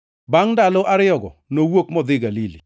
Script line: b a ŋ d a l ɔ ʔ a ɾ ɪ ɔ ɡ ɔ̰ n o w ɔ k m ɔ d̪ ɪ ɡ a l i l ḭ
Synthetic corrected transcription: b a ŋ d a l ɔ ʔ a ɾ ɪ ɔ ɡ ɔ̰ n o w o k m ɔ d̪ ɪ ɡ a l i l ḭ